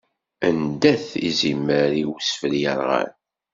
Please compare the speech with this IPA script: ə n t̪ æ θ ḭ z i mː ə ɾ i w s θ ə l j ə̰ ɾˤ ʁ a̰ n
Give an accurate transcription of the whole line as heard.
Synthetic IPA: ə n d̪ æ θ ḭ z i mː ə ɾ i w s f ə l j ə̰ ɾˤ ʁ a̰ n